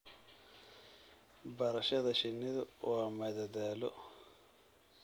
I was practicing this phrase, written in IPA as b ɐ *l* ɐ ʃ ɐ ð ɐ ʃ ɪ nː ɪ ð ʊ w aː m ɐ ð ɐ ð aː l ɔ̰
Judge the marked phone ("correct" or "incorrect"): incorrect